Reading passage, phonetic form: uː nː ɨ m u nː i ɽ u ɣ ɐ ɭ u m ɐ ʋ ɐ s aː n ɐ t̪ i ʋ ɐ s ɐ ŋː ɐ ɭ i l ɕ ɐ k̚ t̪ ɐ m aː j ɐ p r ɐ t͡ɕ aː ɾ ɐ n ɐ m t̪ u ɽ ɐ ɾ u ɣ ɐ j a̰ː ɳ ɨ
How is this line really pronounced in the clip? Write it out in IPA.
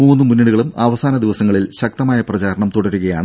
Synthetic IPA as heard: uː nː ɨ m u nː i ɽ u ɣ ɐ ɭ u m ɐ ʋ ɐ s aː n ɐ d̪ i ʋ ɐ s ɐ ŋː ɐ ɭ i l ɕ ɐ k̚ t̪ ɐ m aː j ɐ p r ɐ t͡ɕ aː ɾ ɐ ɳ ɐ m t̪ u ɽ ɐ ɾ u ɣ ɐ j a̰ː ɳ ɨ